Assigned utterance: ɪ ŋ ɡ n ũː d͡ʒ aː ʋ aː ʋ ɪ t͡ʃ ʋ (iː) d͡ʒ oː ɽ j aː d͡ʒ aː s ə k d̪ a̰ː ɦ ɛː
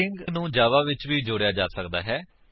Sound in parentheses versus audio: correct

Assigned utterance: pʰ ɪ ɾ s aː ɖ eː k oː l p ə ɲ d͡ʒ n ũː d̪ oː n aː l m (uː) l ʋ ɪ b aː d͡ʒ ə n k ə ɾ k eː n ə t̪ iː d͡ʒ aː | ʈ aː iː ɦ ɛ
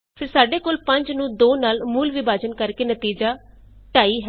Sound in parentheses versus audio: correct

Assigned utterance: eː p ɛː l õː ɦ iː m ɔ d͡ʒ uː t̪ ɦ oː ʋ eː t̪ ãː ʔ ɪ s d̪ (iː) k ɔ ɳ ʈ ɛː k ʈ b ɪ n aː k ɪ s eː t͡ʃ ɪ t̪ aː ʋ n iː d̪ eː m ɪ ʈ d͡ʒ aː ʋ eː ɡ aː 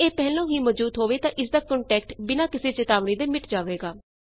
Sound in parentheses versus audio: incorrect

